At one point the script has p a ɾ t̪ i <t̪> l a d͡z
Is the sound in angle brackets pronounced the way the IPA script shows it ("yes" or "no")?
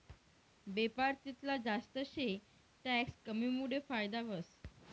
yes